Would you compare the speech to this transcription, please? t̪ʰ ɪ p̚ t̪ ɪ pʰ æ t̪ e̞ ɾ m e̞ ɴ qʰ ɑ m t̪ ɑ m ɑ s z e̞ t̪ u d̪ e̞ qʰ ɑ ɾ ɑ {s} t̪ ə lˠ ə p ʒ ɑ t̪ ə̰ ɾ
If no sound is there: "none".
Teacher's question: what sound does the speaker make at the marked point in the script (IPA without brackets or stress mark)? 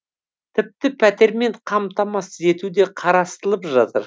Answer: s